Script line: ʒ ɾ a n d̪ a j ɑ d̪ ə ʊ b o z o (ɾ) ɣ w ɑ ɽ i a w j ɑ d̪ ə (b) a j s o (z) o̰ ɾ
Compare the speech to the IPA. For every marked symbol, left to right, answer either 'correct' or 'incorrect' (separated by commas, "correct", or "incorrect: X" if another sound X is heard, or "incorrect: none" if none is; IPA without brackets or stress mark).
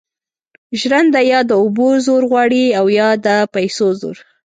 correct, incorrect: p, correct